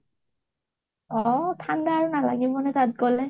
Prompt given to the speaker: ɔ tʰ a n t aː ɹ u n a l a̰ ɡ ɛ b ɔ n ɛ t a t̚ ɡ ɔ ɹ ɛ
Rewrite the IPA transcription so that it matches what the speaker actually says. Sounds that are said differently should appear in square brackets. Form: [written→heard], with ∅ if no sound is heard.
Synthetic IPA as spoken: ɔ tʰ a n [t→d] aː ɹ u n a l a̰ ɡ [ɛ→i] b ɔ n ɛ t a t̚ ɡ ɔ [ɹ→l] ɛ